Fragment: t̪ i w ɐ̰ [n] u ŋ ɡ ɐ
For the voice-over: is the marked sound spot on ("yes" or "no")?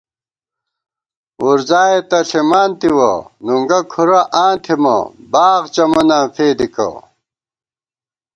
yes